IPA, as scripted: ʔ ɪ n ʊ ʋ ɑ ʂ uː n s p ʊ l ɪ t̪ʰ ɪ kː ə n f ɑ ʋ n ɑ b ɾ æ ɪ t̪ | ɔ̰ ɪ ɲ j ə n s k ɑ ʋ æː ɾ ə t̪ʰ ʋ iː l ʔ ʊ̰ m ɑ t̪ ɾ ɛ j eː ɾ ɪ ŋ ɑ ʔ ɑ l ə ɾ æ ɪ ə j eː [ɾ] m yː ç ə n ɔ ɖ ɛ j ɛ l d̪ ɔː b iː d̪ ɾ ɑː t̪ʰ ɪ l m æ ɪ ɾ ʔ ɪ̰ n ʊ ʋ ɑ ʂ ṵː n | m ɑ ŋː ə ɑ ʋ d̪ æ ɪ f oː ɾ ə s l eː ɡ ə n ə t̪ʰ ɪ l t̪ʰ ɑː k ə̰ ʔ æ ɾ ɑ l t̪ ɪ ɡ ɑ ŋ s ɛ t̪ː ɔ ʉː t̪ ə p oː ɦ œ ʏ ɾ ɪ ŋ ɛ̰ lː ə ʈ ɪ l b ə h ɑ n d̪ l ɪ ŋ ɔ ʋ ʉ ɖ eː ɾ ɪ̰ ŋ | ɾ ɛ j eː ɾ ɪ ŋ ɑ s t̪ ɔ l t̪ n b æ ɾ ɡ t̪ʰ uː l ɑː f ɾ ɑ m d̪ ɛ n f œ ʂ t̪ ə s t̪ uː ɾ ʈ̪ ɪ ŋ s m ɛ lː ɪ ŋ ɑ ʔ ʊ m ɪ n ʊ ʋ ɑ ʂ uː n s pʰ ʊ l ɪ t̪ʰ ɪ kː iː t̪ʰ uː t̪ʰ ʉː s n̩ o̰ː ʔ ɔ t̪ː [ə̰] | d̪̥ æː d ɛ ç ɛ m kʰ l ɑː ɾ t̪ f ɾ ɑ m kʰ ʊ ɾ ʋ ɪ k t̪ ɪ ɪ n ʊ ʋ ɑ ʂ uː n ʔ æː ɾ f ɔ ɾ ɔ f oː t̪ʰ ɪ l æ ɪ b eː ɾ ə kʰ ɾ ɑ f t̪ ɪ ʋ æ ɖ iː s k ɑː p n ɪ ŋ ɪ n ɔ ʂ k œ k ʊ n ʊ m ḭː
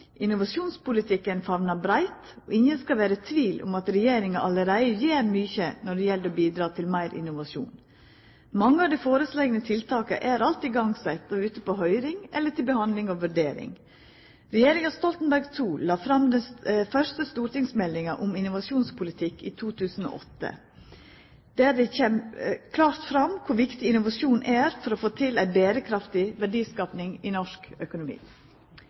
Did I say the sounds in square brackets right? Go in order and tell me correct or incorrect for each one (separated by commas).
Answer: correct, correct